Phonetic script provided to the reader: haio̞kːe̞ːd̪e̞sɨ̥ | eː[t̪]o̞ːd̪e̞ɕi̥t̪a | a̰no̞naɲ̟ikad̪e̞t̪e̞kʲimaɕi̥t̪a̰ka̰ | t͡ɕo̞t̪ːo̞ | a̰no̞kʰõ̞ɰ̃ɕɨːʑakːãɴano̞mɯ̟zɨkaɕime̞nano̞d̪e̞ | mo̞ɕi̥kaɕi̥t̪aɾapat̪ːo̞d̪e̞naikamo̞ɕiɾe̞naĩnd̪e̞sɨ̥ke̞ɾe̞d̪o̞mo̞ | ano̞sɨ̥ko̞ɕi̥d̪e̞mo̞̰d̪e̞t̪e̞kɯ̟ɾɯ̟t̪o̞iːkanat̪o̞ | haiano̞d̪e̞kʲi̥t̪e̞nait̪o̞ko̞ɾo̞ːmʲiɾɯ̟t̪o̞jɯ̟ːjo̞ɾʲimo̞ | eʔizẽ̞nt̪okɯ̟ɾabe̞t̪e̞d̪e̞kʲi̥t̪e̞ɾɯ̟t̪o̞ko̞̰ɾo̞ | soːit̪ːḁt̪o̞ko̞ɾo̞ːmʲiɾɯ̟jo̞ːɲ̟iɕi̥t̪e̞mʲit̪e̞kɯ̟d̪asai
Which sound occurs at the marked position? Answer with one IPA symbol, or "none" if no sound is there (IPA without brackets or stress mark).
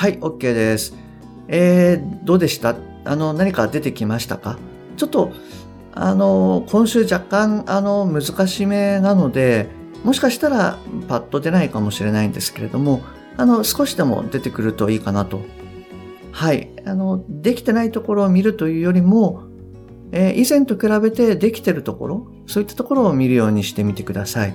d̪